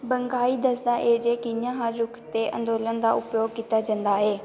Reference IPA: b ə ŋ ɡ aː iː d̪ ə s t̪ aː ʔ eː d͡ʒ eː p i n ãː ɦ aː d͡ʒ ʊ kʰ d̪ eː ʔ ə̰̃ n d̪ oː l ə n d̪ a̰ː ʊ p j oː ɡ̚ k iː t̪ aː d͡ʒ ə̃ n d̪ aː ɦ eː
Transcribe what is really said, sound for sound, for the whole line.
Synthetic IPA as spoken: b ə ŋ ɡ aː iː d̪ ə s d̪ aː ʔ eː d͡ʒ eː k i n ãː ɦ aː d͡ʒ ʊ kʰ t̪ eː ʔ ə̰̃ n d̪ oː l ə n d̪ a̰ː ʊ p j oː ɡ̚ k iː t̪ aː d͡ʒ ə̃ n d̪ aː ɦ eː